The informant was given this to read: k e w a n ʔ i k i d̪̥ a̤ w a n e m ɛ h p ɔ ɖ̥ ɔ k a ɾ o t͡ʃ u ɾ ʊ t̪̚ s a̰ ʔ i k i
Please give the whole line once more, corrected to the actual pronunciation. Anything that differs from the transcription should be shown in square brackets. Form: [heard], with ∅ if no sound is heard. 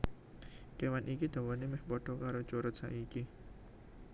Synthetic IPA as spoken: k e w a n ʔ i k i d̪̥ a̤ w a n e m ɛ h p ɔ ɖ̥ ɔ k a ɾ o t͡ʃ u ɾ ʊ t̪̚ s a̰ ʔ i k i